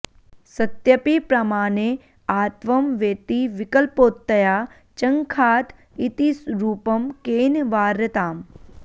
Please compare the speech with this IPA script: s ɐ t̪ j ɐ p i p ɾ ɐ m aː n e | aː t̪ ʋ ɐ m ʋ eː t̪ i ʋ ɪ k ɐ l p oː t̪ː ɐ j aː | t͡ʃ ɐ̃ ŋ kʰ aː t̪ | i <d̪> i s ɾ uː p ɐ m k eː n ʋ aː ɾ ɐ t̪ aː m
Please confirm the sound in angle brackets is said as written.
no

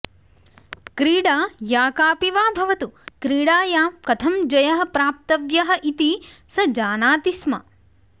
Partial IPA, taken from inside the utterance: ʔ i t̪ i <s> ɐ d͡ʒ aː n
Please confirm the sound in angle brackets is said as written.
yes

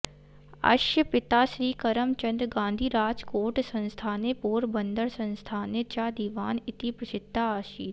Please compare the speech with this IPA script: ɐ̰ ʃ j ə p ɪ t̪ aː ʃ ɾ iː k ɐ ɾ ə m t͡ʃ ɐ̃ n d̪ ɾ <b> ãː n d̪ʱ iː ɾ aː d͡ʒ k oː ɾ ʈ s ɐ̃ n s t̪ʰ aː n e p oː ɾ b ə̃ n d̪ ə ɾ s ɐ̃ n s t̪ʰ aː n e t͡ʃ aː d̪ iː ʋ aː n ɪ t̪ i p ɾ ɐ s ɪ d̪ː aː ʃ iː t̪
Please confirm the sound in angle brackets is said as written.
no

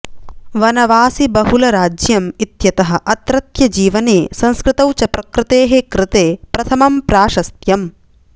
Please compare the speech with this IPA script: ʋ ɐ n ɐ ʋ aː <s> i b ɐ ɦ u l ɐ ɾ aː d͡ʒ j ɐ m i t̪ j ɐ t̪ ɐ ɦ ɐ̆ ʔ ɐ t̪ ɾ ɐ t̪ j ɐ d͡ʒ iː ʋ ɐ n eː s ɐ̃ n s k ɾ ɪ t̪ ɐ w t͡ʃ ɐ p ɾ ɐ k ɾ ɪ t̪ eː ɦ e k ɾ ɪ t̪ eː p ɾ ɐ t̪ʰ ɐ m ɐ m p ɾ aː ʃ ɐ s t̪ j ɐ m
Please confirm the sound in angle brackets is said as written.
yes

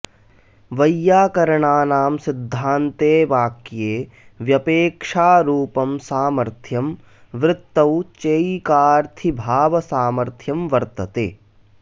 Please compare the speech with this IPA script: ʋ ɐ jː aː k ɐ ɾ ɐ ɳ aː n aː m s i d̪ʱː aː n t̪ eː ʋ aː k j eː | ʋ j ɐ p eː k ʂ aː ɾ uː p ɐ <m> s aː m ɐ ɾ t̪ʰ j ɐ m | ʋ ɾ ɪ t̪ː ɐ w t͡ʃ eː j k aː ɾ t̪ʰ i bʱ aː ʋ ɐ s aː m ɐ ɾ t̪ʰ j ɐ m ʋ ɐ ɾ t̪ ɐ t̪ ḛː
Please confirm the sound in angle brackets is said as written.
yes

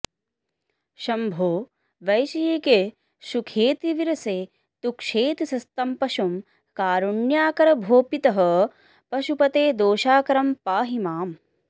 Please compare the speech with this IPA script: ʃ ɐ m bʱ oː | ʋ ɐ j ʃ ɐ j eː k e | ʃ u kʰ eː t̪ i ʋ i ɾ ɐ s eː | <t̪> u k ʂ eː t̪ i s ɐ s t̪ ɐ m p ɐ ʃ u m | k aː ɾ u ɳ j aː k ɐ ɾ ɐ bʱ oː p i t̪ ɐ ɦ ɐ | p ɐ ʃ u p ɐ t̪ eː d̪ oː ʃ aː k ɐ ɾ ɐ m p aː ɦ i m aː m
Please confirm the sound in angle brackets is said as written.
yes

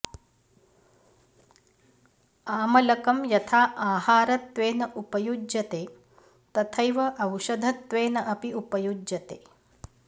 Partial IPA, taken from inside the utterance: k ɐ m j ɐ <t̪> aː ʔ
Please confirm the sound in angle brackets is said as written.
no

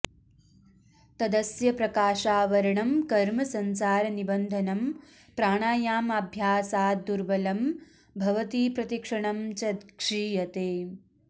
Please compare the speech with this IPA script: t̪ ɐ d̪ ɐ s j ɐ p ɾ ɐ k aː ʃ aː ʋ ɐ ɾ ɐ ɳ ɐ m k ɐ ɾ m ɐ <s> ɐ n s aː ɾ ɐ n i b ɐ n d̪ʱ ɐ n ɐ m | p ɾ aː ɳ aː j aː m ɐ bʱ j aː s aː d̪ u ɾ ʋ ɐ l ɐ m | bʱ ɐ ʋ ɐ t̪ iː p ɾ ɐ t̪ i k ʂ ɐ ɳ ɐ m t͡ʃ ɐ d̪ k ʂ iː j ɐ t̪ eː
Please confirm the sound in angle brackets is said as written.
yes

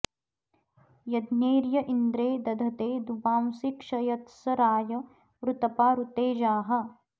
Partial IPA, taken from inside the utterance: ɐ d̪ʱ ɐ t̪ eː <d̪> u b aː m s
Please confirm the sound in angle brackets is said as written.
yes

